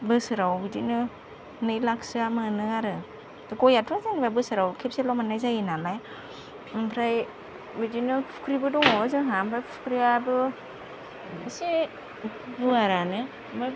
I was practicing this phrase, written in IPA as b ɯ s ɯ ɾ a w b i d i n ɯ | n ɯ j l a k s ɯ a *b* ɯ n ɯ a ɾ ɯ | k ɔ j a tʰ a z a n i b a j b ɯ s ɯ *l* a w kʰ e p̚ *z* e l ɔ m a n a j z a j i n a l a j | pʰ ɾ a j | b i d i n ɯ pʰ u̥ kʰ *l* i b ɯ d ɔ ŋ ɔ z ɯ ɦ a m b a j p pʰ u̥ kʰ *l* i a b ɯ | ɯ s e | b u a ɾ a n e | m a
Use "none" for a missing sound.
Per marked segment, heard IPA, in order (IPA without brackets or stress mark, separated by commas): m, ɾ, s, ɾ, ɾ